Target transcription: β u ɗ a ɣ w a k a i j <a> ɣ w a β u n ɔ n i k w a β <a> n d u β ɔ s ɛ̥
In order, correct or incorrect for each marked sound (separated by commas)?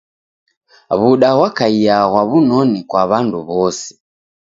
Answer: correct, correct